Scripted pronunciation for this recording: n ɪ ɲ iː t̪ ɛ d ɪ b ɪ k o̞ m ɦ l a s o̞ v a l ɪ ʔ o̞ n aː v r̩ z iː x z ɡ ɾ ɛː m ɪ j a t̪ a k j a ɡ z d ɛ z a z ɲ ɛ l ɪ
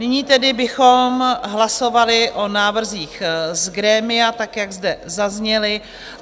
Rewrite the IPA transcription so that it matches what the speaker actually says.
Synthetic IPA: n ɪ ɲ iː t̪ ɛ d ɪ b ɪ x o̞ m ɦ l a s o̞ v a l ɪ ʔ o̞ n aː v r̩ z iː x z ɡ ɾ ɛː m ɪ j a t̪ a k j a ɡ z d ɛ z a z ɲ ɛ l ɪ